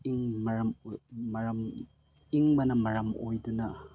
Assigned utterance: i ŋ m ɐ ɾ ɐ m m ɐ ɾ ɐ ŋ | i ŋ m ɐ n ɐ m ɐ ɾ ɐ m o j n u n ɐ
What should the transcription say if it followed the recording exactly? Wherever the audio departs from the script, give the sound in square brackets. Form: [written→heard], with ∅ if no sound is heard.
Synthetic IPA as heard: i ŋ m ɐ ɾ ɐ m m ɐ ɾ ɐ [ŋ→m] | i ŋ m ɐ n ɐ m ɐ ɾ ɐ m o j [n→d] u n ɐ